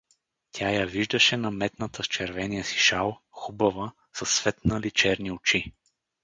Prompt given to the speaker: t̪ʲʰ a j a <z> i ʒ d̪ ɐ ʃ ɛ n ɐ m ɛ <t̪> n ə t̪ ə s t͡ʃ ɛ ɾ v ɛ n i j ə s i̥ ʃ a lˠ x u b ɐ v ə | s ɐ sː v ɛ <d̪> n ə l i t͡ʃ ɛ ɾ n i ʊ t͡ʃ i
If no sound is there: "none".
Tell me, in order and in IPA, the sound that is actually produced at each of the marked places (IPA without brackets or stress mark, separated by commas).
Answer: v, t̪, t̪